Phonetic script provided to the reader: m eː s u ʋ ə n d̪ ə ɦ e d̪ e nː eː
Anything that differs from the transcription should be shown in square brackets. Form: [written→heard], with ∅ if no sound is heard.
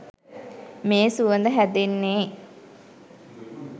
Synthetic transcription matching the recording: m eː s u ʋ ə n d̪ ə ɦ [e→æ] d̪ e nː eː